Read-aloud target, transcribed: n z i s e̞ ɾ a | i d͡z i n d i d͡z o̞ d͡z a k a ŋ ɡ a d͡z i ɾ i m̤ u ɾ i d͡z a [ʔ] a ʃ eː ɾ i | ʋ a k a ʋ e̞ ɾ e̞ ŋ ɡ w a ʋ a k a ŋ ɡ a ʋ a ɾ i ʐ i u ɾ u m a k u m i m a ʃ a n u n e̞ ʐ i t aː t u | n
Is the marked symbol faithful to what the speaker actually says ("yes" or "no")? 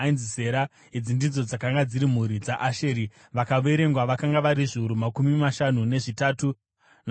yes